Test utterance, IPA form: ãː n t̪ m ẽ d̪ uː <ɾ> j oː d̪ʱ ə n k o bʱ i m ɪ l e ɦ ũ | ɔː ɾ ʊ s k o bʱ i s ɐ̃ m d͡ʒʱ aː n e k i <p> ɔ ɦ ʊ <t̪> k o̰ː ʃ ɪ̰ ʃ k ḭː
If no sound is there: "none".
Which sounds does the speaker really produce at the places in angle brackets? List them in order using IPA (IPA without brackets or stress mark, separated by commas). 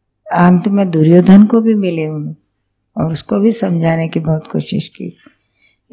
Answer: ɾ, b, t̪